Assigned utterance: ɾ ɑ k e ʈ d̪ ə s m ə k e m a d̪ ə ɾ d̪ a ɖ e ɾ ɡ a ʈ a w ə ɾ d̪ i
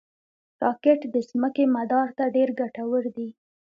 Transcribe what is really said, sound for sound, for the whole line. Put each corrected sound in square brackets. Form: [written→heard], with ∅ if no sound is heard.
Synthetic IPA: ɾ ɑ k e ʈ d̪ ə s m ə k e m a d̪ [ə→ɑ] ɾ [d̪→t̪] a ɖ e ɾ ɡ a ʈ a w ə ɾ d̪ i

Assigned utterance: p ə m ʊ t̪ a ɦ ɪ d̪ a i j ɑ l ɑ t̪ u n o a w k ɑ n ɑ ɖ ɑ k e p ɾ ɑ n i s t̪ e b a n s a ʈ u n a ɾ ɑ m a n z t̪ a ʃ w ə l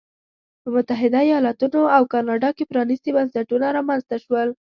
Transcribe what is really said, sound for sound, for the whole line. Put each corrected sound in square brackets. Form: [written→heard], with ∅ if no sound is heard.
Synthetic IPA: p ə m ʊ t̪ a ɦ ɪ d̪ a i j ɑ l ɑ t̪ u n o a w k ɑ n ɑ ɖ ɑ k e p ɾ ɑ n i s t̪ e b a n s a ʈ u n a ɾ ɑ m a n z t̪ a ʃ w ə l

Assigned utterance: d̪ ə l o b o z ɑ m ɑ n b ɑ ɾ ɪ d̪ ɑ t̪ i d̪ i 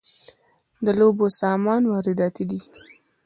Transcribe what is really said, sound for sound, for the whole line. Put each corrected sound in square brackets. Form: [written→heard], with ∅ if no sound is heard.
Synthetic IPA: d̪ ə l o b o [z→s] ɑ m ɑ n [b→w] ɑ ɾ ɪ d̪ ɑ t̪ i d̪ i

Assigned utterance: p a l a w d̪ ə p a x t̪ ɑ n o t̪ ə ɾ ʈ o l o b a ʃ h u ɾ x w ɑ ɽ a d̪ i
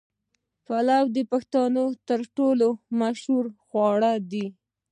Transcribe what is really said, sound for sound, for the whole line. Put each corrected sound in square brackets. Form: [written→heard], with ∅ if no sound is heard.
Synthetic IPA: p a l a w d̪ ə p a x t̪ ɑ n o t̪ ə ɾ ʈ o l o [b→m] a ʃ h u ɾ x w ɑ ɽ a d̪ i

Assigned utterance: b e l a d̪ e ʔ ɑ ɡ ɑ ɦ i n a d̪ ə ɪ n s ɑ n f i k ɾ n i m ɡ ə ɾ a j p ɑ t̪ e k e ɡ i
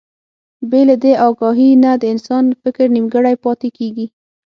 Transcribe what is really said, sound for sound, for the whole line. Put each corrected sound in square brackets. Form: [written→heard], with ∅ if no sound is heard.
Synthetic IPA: b e l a d̪ e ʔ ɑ ɡ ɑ ɦ i n a d̪ ə ɪ n s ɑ n f [i→ɪ] k ɾ n i m ɡ ə [ɾ→ɽ] a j p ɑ t̪ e k e ɡ i

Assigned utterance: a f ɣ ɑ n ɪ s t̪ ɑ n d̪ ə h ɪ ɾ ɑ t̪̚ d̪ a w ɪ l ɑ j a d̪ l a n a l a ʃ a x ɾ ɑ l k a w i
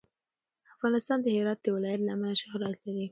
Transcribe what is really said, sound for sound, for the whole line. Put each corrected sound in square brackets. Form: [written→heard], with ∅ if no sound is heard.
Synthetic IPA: a f ɣ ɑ n ɪ s t̪ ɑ n d̪ ə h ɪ ɾ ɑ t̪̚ d̪ [a→ə] w ɪ l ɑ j a [d̪→t̪] l a [n→m] a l a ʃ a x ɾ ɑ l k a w i

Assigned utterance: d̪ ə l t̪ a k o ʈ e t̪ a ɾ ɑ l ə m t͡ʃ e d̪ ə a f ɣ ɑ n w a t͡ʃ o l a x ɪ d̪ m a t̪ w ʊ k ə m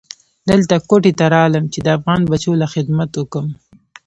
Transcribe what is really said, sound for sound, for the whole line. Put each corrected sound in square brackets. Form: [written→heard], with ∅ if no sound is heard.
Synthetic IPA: d̪ ə l t̪ a k o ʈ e t̪ a ɾ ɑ l ə m t͡ʃ e d̪ ə a f ɣ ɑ n [w→b] a t͡ʃ o l a x ɪ d̪ m a t̪ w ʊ k ə m

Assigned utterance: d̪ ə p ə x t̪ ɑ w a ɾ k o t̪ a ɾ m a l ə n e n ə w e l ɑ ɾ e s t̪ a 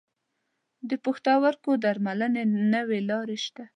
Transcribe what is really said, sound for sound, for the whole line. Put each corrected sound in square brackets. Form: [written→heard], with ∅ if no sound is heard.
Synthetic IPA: d̪ ə p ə x t̪ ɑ w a ɾ k o [t̪→d̪] a ɾ m a l ə n e n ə w e l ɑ ɾ e [s→ʃ] t̪ a

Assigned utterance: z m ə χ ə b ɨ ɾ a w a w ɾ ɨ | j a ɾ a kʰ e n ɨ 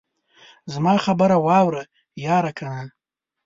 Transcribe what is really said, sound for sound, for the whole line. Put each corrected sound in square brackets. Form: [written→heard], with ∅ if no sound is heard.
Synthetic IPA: z m [ə→a] χ [ə→a] b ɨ ɾ a w a w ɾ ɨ | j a ɾ a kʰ [e→a] n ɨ

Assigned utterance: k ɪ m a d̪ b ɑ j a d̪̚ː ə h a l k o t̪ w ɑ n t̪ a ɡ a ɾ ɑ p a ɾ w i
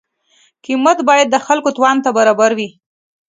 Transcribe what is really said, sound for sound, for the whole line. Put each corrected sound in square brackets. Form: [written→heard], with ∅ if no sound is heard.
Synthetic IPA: k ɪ m a [d̪→t̪] b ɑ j a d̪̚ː ə [h→x] a l k o t̪ w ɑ n t̪ a [ɡ→b] a ɾ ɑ [p→b] a ɾ w i

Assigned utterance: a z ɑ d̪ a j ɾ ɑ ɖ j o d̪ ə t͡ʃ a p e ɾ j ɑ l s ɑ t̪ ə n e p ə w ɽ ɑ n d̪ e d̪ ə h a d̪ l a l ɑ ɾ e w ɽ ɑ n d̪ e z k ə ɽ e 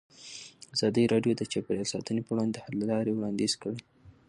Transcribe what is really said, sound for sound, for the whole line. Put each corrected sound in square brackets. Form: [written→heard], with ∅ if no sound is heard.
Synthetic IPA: a z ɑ d̪ [a→ə] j ɾ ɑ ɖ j o d̪ ə t͡ʃ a p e ɾ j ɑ l s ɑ t̪ ə n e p ə w ɽ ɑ n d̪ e d̪ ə h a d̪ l a l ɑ ɾ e w ɽ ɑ n d̪ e z k ə ɽ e

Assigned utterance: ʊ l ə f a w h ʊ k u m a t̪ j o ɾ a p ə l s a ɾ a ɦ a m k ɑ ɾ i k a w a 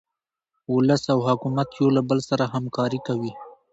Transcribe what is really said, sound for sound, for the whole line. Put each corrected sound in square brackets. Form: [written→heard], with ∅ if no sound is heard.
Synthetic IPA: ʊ l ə [f→s] a w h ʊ k u m a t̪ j o [ɾ→l] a [p→b] ə l s a ɾ a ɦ a m k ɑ ɾ i k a w [a→i]

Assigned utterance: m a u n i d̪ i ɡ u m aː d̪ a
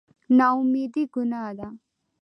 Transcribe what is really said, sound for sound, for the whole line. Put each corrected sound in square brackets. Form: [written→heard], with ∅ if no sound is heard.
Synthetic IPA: [m→n] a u [n→m] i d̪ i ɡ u [m→n] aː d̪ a

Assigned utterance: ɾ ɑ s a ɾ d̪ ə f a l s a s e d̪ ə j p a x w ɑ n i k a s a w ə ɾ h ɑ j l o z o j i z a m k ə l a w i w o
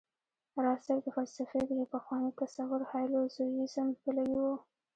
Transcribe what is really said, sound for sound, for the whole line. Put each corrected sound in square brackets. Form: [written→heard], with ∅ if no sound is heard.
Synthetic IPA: ɾ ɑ s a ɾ d̪ ə f a l s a [s→f] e d̪ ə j p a x w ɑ n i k a s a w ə ɾ h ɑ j l o z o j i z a m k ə l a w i w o

